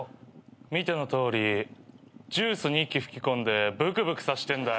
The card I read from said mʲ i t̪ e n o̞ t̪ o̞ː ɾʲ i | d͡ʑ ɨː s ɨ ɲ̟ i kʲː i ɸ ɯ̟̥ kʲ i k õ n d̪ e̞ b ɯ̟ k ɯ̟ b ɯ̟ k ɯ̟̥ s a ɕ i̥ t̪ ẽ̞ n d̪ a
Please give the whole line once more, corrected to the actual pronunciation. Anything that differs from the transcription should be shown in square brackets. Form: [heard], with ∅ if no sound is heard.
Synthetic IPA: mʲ i t̪ e n o̞ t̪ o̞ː ɾʲ i | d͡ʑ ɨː s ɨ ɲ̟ i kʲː i ɸ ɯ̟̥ kʲ i k õ n d̪ e̞ b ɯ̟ k ɯ̟ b ɯ̟ k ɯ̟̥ s a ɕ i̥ t̪ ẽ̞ n d̪ a